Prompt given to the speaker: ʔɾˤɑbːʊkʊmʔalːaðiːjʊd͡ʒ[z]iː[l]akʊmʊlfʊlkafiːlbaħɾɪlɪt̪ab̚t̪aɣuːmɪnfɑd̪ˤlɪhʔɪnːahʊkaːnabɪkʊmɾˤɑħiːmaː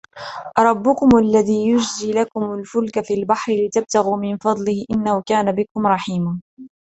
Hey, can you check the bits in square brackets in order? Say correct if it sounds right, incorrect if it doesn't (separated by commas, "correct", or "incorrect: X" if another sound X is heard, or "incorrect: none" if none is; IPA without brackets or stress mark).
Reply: correct, correct